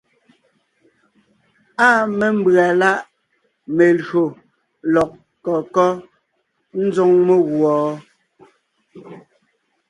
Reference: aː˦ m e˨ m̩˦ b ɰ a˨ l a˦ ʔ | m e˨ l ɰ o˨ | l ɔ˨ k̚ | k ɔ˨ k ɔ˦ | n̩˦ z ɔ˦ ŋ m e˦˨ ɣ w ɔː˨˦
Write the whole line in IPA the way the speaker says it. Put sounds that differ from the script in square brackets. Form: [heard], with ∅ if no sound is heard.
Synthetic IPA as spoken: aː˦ m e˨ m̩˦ b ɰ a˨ l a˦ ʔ | m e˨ l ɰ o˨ | l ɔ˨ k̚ | k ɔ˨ k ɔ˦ | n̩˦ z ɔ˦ ŋ m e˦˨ ɣ w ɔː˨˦

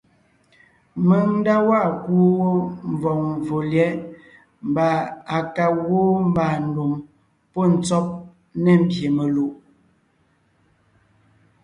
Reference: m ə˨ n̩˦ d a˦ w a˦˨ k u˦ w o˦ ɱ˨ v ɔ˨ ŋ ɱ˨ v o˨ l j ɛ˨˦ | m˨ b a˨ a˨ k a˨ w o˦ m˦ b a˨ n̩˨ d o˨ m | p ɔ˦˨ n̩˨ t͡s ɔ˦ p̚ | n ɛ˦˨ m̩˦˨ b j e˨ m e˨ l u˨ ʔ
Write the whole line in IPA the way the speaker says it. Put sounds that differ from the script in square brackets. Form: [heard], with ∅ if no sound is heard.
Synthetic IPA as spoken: m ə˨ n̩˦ d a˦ w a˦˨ k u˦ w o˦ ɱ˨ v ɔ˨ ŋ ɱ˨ v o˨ l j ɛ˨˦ | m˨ b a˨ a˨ k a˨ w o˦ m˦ b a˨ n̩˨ d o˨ m | p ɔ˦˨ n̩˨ t͡s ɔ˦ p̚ | n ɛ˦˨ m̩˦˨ b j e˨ m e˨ l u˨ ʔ

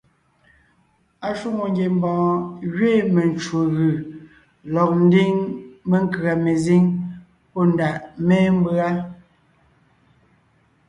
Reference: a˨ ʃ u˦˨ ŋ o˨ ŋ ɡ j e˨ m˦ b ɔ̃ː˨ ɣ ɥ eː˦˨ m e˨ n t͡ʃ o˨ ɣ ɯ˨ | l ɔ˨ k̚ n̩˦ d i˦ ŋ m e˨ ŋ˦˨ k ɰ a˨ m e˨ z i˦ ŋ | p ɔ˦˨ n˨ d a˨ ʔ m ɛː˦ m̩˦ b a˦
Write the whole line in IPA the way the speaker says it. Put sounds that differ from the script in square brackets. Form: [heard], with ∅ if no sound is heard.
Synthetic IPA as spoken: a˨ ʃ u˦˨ ŋ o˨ ŋ ɡ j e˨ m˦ b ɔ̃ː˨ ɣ ɥ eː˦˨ m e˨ n t͡ʃ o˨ ɣ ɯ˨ | l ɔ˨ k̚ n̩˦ d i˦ ŋ m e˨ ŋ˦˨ k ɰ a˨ m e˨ z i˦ ŋ | p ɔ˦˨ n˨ d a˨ ʔ m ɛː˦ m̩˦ b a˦

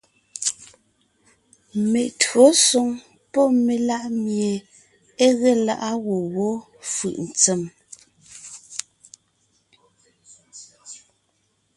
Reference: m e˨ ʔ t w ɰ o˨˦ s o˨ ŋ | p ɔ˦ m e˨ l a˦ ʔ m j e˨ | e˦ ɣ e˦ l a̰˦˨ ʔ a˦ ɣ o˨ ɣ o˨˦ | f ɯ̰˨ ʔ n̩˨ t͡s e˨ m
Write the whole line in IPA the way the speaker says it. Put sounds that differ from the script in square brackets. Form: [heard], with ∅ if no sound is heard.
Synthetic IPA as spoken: m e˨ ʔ t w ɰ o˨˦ s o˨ ŋ | p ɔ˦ m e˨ l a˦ ʔ m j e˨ | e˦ ɣ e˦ l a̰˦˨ ʔ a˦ ɣ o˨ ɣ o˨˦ | f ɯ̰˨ ʔ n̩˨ t͡s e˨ m

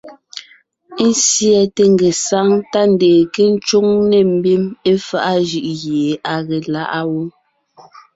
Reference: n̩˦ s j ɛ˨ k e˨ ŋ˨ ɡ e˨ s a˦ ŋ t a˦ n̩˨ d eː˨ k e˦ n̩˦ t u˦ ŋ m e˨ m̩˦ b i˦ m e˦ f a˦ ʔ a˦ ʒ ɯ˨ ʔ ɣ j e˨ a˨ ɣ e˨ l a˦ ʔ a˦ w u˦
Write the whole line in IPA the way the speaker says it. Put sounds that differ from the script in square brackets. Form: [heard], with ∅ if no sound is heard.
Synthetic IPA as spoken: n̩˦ s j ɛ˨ [t] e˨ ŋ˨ ɡ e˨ s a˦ ŋ t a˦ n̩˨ d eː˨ k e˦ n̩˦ [t͡ʃ] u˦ ŋ [n] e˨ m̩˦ b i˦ m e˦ f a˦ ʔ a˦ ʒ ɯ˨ ʔ ɣ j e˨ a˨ ɣ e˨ l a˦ ʔ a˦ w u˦

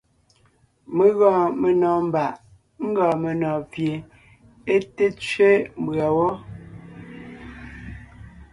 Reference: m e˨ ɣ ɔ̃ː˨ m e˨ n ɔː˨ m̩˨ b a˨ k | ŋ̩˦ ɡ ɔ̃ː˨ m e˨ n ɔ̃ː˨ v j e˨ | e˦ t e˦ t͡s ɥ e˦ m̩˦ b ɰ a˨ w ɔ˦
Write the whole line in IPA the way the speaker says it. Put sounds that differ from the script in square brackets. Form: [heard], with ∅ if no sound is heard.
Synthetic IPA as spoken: m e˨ ɣ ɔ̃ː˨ m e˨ n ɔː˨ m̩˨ b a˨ [ʔ] | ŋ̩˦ ɡ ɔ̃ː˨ m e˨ n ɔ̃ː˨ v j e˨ | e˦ t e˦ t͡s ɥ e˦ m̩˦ b ɰ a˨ w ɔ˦

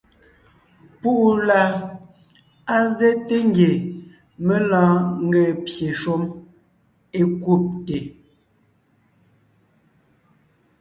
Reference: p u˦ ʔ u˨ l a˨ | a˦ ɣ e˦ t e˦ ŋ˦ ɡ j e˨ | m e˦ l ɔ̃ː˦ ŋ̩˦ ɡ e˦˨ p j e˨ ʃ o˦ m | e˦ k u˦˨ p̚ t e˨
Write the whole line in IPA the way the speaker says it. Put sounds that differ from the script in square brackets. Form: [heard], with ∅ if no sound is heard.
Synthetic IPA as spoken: p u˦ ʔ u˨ l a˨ | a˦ [z] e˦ t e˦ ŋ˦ ɡ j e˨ | m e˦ l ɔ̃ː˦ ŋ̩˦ ɡ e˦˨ p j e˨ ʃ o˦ m | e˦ k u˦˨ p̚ t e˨

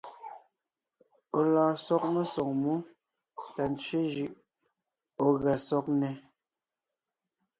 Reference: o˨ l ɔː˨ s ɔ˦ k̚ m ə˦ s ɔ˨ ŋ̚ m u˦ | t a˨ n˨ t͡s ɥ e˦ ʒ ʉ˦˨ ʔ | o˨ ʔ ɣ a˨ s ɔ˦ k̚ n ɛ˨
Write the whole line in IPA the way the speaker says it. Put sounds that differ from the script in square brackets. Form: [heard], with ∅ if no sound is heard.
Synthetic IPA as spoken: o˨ l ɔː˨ s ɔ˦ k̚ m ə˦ s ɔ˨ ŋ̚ m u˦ | t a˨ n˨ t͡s ɥ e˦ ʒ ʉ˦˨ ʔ | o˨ [∅] ɣ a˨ s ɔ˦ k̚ n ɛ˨

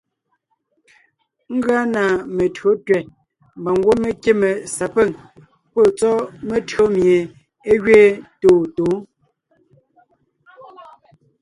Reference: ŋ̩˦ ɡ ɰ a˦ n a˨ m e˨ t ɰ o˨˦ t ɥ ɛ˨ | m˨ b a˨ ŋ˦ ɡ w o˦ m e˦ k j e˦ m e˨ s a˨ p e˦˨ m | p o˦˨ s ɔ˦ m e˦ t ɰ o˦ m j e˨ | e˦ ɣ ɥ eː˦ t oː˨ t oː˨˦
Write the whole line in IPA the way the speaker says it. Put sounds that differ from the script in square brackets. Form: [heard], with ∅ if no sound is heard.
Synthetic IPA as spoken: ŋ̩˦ ɡ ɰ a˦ n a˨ m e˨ t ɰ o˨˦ t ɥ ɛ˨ | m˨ b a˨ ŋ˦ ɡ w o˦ m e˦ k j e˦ m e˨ s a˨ p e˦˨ [ŋ] | p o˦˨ [t͡s] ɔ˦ m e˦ t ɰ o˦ m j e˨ | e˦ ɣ ɥ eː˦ t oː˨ t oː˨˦

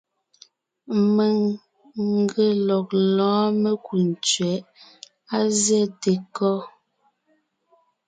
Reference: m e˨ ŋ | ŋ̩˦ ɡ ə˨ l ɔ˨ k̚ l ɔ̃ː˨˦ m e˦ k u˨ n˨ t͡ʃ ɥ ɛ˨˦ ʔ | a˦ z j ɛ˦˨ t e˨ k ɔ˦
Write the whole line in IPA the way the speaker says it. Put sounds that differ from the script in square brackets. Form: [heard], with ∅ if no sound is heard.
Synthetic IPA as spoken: m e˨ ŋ | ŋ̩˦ ɡ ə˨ l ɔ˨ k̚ l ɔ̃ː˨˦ m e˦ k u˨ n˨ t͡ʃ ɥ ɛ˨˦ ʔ | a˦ z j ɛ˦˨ t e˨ k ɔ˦

